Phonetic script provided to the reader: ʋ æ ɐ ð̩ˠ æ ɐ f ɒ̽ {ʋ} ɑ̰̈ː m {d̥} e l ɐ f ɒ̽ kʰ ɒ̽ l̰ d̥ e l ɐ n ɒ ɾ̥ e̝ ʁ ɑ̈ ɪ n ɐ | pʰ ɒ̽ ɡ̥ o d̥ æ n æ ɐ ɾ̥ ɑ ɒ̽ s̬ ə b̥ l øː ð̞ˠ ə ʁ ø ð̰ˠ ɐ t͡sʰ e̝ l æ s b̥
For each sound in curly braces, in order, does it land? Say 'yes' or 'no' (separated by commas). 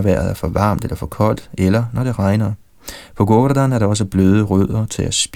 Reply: yes, yes